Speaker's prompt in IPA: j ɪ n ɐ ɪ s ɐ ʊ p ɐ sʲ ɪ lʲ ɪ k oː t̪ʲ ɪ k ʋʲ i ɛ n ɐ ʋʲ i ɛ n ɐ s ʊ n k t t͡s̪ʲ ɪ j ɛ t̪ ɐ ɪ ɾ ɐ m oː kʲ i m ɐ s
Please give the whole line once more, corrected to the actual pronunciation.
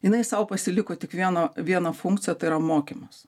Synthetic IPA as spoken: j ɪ n ɐ ɪ s ɐ ʊ p ɐ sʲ ɪ lʲ ɪ k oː t̪ʲ ɪ k ʋʲ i ɛ n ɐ ʋʲ i ɛ n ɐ f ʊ ŋ k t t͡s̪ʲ ɪ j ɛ t̪ ɐ ɪ ɾ ɐ m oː kʲ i m ɐ s